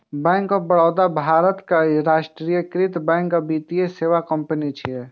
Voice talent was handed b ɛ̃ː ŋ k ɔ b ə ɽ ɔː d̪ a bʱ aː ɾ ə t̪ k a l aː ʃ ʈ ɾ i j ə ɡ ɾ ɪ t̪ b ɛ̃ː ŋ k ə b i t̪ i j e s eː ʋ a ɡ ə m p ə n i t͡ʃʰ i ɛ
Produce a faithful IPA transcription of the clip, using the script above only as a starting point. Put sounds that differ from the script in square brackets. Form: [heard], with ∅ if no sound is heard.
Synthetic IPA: b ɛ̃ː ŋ k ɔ b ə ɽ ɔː d̪ a bʱ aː ɾ ə t̪ k a [ɾ] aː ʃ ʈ ɾ i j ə [k] ɾ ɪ t̪ b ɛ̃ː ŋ k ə b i t̪ i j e s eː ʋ a [k] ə m p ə n i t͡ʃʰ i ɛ